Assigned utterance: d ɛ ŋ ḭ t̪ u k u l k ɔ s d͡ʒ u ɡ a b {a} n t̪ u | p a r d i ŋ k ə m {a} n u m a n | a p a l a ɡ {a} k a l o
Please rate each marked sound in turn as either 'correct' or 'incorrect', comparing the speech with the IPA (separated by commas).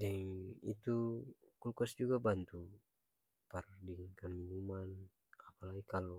correct, incorrect, incorrect